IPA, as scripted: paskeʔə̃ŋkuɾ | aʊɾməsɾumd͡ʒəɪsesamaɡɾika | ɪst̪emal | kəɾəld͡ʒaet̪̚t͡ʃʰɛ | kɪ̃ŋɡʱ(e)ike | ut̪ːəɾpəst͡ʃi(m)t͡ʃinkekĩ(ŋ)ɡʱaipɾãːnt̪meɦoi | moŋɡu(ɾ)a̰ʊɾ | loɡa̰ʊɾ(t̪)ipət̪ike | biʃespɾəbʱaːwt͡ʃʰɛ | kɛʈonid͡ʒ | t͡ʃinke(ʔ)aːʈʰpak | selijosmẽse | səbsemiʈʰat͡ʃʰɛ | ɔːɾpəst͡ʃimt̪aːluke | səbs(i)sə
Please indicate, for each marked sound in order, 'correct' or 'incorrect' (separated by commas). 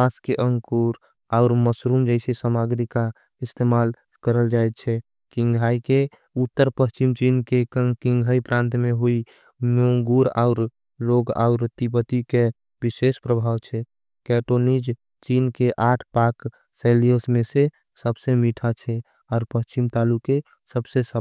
incorrect, correct, correct, correct, correct, correct, incorrect